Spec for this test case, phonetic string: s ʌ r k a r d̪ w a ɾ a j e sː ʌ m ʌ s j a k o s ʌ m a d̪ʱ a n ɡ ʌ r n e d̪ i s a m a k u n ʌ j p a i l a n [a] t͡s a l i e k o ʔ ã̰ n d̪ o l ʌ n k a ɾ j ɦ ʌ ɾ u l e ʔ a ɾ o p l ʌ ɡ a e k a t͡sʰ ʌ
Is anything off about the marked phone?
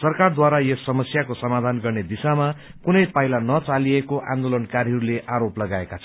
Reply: yes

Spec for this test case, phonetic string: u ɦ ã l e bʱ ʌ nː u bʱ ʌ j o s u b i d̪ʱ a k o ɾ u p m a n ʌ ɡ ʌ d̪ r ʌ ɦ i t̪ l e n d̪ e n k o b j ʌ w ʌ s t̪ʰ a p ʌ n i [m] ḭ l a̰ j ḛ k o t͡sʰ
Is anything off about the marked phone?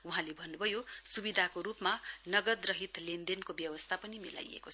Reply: no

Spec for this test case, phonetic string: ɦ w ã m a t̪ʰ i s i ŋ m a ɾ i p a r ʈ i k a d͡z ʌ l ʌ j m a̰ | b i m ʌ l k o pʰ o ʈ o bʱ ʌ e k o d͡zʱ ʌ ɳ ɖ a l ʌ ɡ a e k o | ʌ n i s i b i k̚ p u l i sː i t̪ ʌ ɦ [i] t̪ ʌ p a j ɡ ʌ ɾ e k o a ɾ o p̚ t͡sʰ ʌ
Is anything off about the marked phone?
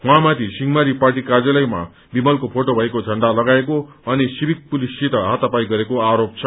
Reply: yes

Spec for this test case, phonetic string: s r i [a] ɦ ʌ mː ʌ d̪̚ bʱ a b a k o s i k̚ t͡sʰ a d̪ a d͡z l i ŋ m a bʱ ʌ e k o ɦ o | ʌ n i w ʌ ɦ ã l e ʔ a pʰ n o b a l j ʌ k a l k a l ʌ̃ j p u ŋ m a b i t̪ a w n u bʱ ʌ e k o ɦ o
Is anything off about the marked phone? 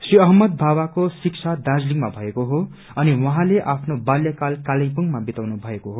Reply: yes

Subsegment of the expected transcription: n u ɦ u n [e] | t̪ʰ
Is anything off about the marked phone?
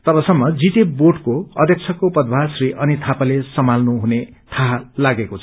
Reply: no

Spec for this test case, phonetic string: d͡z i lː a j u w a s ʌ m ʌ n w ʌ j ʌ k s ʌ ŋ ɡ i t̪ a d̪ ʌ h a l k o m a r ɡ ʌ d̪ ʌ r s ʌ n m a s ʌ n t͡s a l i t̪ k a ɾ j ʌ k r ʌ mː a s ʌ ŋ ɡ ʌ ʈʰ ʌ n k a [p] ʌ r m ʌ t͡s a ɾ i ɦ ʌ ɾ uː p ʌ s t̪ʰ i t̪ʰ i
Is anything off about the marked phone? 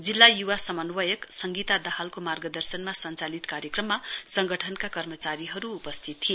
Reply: yes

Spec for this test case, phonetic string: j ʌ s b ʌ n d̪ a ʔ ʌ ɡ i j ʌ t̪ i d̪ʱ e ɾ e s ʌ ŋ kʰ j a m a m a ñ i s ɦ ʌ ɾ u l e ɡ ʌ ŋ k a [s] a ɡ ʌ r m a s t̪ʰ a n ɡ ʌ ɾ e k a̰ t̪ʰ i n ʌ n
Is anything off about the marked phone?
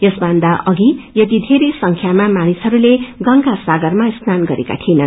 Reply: no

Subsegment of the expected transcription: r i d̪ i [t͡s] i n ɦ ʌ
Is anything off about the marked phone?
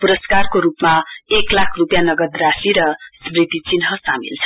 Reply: no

